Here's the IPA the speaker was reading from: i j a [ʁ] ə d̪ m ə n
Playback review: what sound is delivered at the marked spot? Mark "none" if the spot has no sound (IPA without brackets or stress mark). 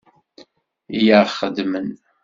χ